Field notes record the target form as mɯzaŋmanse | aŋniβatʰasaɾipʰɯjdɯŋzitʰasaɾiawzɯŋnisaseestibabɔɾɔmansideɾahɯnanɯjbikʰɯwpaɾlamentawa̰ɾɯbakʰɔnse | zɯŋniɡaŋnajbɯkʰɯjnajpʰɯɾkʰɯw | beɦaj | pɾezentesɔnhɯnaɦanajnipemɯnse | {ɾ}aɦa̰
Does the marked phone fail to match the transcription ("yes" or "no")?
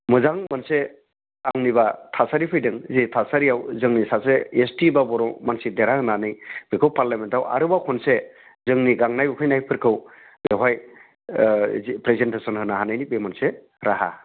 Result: no